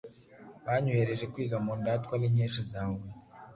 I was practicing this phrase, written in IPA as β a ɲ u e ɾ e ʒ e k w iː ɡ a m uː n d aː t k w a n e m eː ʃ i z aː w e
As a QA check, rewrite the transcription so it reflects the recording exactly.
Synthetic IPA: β a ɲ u e ɾ e ʒ e k w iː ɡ a m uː n d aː t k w a n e ɲ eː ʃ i z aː w e